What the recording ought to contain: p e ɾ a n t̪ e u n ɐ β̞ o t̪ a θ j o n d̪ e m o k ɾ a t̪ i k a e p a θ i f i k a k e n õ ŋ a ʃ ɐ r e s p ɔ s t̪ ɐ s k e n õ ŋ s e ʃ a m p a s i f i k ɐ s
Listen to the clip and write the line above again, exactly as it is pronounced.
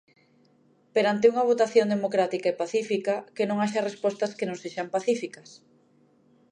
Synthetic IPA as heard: p e ɾ a n t̪ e u ŋ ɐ β̞ o t̪ a θ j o n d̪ e m o k ɾ a t̪ i k a e p a θ i f i k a k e n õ ŋ a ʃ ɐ r e s p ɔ s t̪ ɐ s k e n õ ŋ s e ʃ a m p a θ i f i k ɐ s